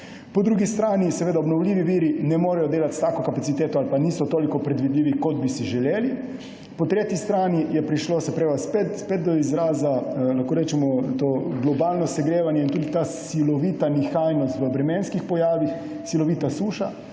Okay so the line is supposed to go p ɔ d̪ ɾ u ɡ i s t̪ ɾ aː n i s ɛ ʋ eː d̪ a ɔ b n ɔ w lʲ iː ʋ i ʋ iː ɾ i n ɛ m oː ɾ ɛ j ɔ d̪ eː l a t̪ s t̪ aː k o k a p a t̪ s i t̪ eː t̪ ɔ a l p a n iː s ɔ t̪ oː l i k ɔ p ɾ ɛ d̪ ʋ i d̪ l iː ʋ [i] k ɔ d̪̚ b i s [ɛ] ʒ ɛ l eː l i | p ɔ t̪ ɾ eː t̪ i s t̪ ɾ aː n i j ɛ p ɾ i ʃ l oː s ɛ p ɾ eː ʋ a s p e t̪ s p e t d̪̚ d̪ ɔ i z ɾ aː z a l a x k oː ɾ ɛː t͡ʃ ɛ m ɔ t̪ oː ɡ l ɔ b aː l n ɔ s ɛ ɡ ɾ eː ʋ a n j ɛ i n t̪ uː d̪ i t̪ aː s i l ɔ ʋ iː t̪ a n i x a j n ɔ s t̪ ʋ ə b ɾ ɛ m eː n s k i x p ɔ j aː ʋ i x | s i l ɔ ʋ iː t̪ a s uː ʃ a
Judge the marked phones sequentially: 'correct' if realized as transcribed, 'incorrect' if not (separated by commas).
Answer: correct, incorrect